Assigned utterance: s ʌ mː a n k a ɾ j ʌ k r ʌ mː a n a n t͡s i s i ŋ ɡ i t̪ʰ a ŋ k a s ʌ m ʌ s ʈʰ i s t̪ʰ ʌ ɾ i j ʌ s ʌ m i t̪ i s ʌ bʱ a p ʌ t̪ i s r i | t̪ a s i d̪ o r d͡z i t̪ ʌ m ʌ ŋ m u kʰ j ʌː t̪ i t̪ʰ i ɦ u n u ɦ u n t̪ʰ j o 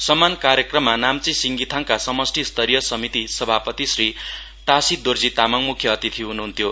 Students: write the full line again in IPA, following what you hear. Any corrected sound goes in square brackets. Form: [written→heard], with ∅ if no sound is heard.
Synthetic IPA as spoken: s ʌ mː a n k a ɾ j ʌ k r ʌ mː a n a [n→m] t͡s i s i ŋ ɡ i t̪ʰ a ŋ k a s ʌ m ʌ s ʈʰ i s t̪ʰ ʌ ɾ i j ʌ s ʌ m i t̪ i s ʌ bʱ a p ʌ t̪ i s r i | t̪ a s i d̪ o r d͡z i t̪ [ʌ→a] m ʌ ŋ m u kʰ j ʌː t̪ i t̪ʰ i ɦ u n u ɦ u n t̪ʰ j o